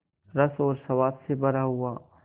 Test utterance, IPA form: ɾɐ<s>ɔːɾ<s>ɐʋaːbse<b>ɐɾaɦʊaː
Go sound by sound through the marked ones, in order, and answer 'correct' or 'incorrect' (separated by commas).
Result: correct, correct, correct